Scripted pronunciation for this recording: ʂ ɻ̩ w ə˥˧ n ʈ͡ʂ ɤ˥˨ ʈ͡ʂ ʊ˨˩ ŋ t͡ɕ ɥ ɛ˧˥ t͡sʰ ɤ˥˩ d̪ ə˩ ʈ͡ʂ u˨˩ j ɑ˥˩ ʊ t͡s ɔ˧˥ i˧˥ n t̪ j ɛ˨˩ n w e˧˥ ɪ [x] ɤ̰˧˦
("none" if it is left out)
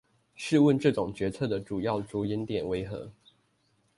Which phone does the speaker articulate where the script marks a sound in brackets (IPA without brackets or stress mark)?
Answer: x